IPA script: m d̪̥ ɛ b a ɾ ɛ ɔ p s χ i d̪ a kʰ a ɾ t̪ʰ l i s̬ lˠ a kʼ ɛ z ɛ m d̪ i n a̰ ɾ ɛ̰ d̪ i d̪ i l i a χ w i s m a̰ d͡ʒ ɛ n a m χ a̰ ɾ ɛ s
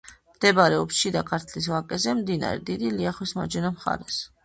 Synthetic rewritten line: m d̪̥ ɛ b a ɾ ɛ ɔ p s ʃ i d̪ a kʰ a ɾ t̪ʰ l i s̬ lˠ a kʼ ɛ z ɛ m d̪ i n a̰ ɾ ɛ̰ d̪ i d̪ i l i a χ w i s m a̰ d͡ʒ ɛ n a m χ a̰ ɾ ɛ s